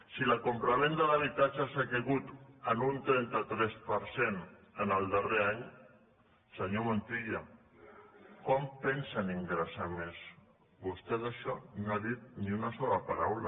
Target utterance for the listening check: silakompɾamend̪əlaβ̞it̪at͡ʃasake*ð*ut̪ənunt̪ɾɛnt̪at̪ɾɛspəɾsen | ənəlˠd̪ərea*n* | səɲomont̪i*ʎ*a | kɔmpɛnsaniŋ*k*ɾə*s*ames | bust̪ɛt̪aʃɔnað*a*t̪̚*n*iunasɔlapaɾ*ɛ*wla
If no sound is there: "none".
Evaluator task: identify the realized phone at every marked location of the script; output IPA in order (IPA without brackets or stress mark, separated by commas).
ɣ, ɲ, ʎ, ɡ, s, i, n, a